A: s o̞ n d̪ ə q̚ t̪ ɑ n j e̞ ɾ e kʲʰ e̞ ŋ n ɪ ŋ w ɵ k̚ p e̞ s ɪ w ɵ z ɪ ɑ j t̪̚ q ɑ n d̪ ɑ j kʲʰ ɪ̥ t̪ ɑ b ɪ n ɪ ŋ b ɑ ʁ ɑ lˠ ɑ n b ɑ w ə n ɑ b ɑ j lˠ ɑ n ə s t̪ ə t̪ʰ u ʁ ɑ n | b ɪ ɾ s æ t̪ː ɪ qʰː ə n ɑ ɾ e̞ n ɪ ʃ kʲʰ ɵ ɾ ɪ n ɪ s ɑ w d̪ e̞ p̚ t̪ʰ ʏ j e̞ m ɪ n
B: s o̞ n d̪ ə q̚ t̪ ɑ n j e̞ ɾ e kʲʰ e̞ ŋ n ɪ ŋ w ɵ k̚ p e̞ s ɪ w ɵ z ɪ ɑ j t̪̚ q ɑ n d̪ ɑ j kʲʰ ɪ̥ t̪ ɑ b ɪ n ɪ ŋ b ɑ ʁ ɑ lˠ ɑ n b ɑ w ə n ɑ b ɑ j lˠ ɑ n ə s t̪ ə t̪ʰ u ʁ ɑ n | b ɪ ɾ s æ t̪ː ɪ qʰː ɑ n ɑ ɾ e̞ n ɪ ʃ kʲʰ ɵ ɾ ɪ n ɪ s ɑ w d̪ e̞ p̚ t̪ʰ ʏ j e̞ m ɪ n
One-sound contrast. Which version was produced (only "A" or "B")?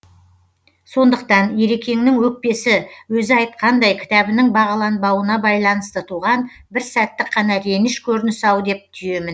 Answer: B